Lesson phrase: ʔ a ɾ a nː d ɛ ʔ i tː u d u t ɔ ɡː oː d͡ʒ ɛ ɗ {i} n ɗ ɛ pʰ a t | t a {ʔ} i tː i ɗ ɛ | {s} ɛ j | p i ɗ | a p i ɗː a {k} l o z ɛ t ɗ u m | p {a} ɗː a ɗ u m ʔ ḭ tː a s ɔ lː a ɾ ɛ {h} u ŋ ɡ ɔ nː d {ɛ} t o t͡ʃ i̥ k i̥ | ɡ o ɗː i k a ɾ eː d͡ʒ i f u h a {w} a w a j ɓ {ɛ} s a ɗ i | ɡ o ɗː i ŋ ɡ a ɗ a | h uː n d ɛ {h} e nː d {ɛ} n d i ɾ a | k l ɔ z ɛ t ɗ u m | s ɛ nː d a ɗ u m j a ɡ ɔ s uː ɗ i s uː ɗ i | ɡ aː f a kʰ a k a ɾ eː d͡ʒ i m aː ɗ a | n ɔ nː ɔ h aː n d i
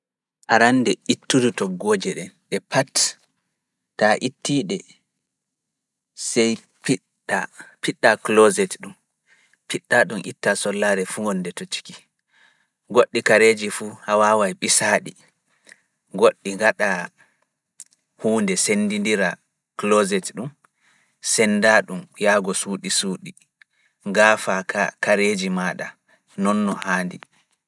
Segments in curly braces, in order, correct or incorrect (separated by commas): incorrect, correct, correct, correct, incorrect, incorrect, correct, correct, incorrect, incorrect, incorrect